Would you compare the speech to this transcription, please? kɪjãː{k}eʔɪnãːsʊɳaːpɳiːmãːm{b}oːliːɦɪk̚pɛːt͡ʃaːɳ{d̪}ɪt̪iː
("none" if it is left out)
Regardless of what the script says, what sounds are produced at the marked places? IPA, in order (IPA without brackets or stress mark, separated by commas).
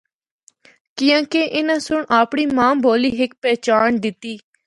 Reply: k, b, d̪